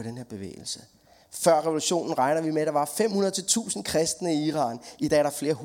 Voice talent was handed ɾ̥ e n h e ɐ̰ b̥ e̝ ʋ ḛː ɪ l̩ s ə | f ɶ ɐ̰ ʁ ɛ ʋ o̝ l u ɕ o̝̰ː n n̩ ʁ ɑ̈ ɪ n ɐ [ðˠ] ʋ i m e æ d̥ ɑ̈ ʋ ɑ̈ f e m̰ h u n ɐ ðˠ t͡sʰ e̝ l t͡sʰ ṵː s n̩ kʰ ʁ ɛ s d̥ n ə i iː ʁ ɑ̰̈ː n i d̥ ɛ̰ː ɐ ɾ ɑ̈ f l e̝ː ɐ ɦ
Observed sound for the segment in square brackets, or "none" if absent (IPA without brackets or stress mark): none